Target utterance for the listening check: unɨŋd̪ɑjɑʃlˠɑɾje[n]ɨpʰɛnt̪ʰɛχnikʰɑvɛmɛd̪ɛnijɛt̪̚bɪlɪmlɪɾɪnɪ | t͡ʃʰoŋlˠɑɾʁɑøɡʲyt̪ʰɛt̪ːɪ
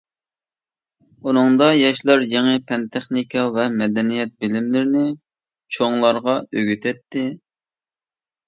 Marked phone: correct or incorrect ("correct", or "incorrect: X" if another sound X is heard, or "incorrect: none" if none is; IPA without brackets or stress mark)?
incorrect: ŋ